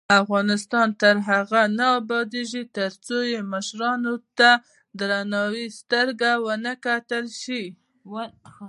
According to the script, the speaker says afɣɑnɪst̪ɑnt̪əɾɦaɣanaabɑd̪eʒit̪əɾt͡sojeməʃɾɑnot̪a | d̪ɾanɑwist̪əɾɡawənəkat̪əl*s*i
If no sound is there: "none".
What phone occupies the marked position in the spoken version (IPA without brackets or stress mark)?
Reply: ʃ